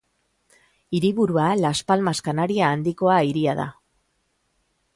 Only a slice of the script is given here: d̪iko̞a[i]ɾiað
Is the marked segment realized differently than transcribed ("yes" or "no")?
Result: no